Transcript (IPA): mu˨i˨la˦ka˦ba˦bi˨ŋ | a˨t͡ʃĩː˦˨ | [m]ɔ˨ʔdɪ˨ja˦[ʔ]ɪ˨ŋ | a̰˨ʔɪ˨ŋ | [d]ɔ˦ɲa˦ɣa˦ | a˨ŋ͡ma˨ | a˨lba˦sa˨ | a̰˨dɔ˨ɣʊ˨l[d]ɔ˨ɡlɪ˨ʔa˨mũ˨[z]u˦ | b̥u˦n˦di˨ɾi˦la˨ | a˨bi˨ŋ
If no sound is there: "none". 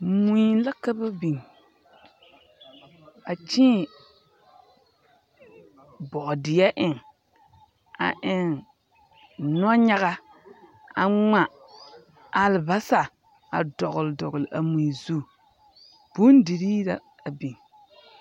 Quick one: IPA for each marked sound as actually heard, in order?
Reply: b, ʔ, n, d, z

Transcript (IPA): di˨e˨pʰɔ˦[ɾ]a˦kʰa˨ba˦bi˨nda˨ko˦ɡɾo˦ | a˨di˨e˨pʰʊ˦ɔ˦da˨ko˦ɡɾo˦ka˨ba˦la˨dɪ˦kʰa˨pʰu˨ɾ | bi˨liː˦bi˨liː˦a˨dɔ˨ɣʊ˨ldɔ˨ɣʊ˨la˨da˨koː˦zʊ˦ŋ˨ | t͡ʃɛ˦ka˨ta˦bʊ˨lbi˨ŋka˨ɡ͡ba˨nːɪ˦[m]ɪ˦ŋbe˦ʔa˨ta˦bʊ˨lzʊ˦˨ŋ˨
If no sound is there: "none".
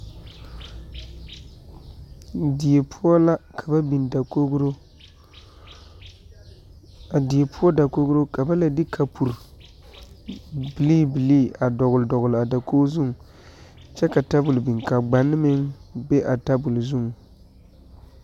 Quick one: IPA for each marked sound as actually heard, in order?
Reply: l, m

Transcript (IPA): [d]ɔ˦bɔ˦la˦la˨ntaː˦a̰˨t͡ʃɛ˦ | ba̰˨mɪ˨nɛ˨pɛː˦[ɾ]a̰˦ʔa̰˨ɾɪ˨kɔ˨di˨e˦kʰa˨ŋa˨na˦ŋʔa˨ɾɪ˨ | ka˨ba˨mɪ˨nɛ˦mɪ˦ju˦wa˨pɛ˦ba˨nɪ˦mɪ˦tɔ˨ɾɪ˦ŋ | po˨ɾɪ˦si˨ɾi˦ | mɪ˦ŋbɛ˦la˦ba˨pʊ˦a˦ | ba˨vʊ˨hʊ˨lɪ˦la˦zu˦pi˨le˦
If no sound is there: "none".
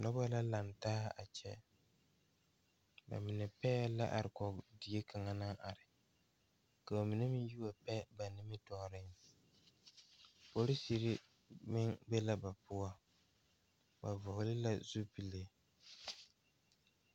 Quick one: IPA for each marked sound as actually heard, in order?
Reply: n, l

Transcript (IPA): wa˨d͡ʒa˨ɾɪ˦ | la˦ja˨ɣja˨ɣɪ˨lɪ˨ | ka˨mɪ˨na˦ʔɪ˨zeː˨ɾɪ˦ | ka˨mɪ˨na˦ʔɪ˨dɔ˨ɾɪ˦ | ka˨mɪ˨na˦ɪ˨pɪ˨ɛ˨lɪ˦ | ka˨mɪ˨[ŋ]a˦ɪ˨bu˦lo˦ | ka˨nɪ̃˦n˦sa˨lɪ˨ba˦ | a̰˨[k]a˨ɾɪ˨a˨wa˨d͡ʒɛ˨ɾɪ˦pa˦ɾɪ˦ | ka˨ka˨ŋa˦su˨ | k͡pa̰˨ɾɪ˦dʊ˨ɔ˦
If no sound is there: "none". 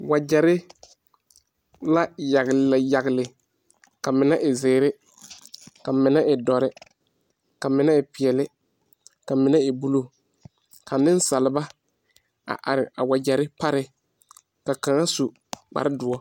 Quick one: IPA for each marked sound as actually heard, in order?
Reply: n, ʔ

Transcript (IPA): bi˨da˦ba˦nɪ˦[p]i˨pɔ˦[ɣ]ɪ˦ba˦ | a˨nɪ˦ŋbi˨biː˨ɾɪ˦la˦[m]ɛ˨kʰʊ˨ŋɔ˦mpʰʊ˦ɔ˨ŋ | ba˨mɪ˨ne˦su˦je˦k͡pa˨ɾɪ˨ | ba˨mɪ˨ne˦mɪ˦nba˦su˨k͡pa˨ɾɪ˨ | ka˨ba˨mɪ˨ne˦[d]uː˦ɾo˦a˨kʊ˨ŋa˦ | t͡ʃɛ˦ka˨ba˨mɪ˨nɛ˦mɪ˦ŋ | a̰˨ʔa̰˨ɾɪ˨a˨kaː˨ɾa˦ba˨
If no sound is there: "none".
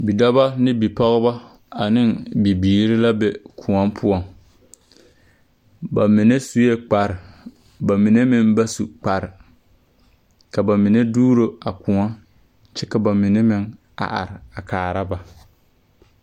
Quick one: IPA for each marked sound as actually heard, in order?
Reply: b, ɣ, b, d

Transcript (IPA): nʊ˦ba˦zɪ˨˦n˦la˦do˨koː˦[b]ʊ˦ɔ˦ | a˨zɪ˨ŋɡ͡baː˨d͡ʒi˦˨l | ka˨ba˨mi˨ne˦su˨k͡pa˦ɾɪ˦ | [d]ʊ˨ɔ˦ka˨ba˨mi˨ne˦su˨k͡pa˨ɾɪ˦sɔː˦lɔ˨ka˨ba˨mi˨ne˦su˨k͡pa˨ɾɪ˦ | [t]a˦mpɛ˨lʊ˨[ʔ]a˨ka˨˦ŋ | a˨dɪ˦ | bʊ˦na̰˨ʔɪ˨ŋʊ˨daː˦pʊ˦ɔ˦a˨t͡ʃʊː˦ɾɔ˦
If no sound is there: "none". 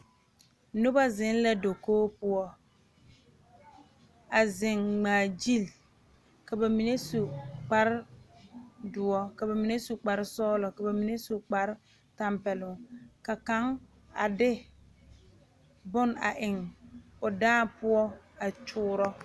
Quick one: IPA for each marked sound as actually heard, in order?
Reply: p, d, t, k

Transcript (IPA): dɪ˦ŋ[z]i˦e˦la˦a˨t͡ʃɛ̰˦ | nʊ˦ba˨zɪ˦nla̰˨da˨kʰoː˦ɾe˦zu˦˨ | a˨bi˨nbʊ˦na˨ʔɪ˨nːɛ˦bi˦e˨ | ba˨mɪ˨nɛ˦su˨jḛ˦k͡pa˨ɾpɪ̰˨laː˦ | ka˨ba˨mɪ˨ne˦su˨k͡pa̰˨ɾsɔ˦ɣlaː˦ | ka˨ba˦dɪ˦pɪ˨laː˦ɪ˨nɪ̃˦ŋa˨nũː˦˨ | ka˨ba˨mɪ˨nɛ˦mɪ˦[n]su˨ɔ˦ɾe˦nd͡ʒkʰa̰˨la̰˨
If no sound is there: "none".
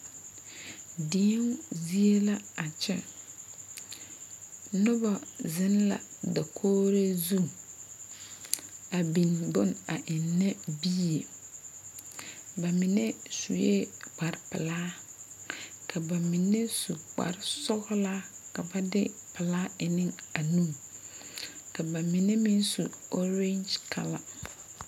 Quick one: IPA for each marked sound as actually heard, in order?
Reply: z, n

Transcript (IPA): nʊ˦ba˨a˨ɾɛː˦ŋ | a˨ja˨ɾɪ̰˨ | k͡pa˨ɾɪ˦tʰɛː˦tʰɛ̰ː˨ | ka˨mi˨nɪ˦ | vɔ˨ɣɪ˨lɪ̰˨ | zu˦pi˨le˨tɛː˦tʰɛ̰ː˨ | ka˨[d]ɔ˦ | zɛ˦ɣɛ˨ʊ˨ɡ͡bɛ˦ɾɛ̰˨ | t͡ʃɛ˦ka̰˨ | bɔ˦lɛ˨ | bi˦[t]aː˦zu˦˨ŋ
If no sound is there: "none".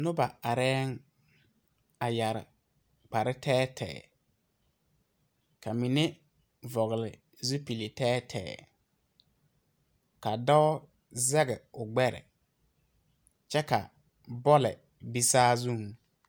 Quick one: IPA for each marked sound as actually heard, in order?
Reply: d, s

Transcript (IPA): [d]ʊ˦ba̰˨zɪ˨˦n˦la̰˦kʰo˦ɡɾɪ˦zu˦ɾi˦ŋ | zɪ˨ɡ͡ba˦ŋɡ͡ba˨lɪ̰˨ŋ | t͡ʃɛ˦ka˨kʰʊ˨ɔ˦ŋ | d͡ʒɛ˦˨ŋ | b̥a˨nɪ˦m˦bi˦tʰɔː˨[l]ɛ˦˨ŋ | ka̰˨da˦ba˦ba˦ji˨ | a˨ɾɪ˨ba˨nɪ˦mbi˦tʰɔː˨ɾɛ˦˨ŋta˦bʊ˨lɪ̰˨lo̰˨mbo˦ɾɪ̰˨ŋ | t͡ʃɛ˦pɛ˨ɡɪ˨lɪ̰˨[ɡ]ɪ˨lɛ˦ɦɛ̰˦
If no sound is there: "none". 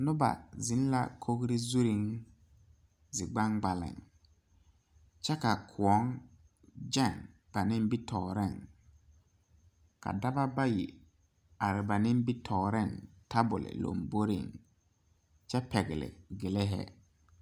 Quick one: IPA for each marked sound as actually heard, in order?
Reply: n, ɾ, ɡ

